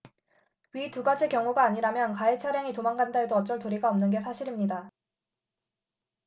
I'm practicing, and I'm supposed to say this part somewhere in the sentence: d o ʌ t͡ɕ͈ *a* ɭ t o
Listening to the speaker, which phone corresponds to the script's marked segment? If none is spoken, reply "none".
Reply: ʌ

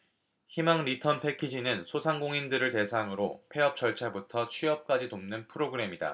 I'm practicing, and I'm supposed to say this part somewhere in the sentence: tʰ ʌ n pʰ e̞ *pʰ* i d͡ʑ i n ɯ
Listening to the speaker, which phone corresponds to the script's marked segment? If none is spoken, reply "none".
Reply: kʰ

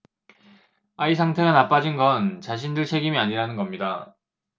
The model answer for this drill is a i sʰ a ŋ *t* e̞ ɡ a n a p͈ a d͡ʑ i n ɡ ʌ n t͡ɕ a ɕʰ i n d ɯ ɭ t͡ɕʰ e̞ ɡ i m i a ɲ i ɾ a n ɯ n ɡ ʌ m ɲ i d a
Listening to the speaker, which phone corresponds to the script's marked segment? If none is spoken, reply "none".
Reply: tʰ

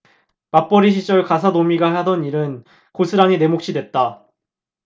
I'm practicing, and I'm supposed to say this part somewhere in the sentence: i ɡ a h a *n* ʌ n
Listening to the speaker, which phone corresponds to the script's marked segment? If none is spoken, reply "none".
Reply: d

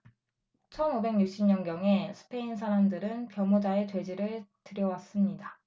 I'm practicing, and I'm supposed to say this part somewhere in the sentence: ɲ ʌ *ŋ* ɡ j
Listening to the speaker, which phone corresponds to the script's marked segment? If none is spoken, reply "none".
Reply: n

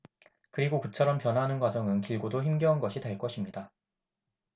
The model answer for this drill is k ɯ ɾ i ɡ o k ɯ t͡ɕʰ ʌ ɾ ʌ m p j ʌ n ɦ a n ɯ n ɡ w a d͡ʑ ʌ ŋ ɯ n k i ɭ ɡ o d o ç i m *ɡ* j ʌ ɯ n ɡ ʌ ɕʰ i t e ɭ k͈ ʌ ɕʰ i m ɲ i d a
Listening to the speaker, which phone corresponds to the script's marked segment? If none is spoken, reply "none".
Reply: ɡ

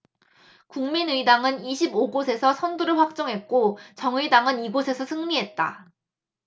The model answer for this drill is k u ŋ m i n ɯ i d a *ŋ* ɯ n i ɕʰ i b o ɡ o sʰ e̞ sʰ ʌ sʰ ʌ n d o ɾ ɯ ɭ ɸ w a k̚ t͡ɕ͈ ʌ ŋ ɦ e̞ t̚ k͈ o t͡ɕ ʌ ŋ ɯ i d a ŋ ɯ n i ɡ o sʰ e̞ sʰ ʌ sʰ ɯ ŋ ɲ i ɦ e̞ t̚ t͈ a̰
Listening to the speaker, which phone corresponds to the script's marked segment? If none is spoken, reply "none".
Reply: ŋ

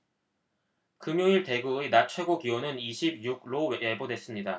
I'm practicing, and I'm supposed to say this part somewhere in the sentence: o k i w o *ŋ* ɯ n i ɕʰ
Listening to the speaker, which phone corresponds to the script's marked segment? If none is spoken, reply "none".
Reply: n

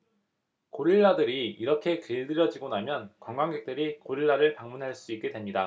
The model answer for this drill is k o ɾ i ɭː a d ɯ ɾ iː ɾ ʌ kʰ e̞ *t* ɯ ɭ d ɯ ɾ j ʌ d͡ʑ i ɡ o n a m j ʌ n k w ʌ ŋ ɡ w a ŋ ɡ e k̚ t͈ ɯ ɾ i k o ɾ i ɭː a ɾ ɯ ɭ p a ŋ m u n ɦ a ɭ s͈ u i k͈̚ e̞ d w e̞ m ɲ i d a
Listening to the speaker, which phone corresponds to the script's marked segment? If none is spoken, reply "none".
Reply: k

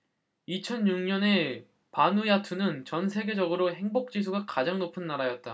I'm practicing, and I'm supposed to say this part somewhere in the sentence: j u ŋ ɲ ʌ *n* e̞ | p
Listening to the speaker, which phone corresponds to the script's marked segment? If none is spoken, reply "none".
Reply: n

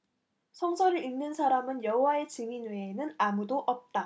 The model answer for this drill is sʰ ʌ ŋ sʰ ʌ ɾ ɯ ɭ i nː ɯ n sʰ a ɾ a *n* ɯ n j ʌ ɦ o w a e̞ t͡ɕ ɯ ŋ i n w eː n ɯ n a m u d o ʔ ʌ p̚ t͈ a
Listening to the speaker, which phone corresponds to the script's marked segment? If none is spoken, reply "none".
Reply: m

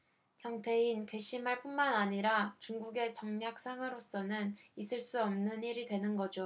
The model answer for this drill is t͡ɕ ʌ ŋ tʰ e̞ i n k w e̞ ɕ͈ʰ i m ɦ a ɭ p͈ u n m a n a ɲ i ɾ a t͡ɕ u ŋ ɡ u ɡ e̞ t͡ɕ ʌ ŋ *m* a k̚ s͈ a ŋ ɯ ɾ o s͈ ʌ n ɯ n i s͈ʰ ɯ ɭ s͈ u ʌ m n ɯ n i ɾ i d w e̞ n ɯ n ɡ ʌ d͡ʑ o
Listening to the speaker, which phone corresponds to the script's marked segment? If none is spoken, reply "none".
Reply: ɲ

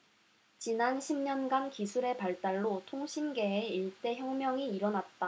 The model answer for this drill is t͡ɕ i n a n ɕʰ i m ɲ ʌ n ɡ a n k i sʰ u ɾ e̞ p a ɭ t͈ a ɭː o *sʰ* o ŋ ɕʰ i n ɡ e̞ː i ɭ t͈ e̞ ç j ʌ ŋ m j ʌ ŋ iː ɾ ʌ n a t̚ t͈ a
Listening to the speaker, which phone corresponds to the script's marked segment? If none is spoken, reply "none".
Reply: tʰ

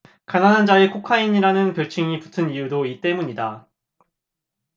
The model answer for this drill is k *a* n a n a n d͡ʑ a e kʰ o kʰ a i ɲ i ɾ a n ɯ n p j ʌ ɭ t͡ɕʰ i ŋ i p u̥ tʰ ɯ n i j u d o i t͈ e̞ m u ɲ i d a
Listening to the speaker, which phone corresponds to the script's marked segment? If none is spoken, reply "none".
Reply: a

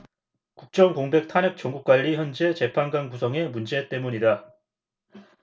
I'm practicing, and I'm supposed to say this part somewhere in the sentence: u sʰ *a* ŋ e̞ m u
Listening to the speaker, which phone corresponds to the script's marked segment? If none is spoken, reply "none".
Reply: ʌ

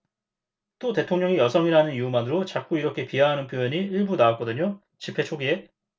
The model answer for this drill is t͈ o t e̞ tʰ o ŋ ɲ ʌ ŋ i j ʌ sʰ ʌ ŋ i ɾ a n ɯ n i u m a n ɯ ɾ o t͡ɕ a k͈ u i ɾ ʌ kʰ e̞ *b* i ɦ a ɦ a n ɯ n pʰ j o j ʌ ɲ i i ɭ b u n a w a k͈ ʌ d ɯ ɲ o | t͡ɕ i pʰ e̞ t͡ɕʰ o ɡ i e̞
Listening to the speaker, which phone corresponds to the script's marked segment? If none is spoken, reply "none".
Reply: p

